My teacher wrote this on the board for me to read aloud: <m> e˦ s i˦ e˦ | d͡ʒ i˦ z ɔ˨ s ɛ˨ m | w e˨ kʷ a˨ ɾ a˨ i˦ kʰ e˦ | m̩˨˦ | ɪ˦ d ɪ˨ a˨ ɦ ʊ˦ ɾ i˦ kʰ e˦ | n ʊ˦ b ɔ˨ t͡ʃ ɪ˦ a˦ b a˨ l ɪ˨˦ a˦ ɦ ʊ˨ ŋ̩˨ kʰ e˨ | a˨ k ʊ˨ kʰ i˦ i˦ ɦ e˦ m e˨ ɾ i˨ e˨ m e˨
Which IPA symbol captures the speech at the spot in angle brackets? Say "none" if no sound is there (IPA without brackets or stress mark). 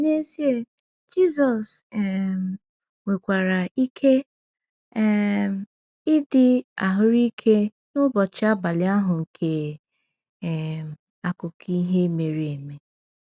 n